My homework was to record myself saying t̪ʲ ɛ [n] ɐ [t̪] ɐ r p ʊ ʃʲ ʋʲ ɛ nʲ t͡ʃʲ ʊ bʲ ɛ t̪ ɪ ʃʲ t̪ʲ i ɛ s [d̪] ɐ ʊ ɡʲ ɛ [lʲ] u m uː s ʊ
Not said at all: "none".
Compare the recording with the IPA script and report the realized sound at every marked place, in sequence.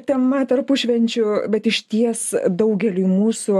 m, t̪, d̪, lʲ

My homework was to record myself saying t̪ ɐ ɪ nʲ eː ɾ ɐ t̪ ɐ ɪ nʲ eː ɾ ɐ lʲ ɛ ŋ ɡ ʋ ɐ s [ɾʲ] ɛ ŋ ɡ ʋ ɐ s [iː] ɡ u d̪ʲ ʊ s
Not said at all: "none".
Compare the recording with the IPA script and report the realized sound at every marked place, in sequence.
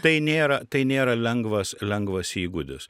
lʲ, iː

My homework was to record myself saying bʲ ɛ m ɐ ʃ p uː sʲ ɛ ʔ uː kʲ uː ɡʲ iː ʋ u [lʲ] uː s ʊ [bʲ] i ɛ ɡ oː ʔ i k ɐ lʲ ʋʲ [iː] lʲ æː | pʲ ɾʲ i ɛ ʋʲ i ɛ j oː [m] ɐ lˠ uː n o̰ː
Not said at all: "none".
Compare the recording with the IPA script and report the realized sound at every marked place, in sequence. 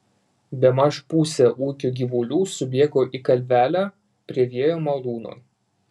lʲ, bʲ, æː, m

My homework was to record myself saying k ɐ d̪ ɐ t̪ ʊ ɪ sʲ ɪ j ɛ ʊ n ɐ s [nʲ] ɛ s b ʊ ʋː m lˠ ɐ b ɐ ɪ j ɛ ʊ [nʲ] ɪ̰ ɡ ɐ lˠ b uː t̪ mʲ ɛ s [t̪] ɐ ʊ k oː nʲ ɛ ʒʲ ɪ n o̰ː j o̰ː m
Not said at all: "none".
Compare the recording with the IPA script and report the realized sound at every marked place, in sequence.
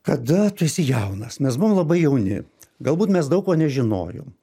mʲ, nʲ, d̪

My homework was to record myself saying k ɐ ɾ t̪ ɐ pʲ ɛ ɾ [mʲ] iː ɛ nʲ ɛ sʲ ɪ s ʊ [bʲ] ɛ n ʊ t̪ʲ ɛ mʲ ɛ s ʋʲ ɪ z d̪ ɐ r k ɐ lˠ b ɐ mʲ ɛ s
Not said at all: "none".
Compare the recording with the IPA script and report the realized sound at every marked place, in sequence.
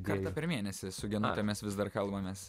mʲ, ɡʲ

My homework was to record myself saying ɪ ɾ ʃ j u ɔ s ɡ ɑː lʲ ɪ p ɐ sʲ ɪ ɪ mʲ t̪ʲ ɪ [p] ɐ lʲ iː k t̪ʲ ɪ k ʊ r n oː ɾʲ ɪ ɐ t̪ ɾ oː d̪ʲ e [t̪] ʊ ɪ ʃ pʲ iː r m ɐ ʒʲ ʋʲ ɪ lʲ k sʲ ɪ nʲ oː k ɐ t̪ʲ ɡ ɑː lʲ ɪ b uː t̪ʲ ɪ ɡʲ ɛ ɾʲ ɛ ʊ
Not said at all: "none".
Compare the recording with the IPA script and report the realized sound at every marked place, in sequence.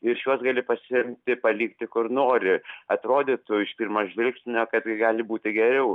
p, t̪

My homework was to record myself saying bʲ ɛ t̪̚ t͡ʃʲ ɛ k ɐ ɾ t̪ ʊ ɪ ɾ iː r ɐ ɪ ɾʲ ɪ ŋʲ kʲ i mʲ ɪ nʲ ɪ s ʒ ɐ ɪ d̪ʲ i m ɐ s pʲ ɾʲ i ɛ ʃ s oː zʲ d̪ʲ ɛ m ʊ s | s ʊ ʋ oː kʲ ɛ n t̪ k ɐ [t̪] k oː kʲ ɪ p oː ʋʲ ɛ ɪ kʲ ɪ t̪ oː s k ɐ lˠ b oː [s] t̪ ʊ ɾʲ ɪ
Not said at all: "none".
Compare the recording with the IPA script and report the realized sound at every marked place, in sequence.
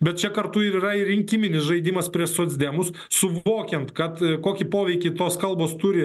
t̪, s

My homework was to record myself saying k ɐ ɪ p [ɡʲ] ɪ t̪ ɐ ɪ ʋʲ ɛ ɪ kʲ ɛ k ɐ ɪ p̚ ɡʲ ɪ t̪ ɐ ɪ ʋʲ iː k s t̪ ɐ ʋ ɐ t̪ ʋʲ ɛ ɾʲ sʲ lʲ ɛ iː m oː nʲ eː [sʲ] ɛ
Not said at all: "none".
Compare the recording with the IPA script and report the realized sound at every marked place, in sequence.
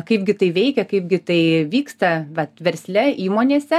ɡʲ, sʲ

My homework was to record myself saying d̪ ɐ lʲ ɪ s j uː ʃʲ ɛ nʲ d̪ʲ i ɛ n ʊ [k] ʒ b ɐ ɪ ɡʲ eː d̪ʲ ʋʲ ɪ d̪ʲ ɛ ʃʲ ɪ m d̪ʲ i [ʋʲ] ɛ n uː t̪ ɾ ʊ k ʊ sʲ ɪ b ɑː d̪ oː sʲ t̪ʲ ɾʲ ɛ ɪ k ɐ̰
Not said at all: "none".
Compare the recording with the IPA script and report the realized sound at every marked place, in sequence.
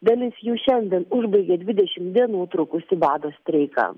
none, none

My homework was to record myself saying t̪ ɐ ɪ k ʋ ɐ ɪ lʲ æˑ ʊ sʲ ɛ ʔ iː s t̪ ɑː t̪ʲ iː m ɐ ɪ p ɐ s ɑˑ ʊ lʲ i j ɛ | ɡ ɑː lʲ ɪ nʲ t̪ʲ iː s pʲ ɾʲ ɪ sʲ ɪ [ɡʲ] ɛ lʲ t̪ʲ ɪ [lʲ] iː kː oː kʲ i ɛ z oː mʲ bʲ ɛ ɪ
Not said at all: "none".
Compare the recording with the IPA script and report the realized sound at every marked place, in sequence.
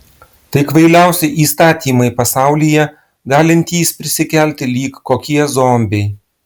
kʲ, lʲ

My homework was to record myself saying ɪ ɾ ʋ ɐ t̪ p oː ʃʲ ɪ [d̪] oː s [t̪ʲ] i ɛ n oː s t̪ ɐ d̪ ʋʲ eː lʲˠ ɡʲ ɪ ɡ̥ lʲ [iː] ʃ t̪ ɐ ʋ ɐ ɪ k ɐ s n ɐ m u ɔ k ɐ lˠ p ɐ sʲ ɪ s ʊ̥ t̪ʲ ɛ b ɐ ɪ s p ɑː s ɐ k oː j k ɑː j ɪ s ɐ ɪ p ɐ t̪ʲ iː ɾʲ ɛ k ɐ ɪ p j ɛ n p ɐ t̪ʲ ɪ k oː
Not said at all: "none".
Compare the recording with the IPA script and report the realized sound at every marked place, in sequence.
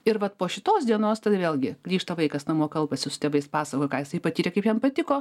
t̪, d̪ʲ, iː

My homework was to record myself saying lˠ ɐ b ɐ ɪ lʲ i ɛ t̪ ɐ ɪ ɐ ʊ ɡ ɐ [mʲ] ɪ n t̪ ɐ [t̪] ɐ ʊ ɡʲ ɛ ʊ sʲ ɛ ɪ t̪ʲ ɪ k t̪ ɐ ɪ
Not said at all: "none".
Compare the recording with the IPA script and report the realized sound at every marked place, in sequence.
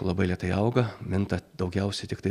mʲ, d̪

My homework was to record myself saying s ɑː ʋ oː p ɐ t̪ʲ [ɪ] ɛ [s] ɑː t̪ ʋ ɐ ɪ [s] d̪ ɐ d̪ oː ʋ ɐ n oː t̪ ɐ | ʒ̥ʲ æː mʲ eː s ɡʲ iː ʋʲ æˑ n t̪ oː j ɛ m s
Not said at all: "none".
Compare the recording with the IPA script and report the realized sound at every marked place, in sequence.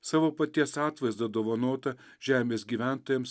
i, s, z

